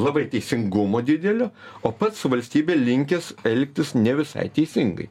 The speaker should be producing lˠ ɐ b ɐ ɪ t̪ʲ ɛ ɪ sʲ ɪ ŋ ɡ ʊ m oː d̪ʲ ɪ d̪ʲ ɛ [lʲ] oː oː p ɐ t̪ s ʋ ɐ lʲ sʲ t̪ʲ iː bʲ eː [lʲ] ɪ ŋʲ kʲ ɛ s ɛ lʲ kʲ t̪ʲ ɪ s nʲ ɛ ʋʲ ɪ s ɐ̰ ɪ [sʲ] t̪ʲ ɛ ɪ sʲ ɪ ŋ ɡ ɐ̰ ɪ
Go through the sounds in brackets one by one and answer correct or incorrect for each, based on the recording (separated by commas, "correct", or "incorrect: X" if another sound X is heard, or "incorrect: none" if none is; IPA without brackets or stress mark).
correct, correct, incorrect: none